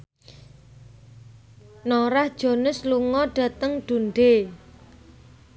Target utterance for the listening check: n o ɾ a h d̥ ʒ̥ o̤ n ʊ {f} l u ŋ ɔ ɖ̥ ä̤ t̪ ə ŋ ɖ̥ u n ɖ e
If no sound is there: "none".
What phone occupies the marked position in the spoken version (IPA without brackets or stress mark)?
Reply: s